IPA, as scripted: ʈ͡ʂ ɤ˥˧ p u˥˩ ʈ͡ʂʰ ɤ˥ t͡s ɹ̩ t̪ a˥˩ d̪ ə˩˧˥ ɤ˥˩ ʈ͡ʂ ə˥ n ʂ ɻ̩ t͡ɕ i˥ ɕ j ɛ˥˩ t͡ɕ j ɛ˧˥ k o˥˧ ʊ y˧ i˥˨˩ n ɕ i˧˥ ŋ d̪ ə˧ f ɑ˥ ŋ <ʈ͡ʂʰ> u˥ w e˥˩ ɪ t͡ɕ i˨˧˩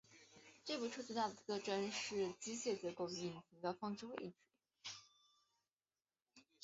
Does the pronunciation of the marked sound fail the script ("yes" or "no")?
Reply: yes